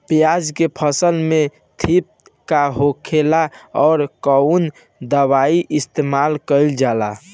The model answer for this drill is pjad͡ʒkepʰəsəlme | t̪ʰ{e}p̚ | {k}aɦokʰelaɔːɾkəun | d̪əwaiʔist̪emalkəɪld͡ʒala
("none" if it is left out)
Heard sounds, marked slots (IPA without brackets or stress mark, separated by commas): i, k